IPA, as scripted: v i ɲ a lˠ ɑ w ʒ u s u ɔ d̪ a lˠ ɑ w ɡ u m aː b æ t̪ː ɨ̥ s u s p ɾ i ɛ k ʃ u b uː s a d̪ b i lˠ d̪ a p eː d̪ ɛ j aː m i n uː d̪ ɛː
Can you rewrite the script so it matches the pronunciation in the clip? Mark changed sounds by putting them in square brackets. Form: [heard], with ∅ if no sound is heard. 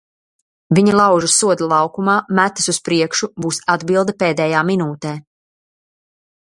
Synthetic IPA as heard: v i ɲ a lˠ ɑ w ʒ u s u ɔ d̪ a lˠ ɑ w [k] u m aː [m] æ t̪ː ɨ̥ s u s p ɾ i ɛ k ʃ u b uː s a d̪ b i lˠ d̪ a p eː d̪ ɛ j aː m i n uː [t̪] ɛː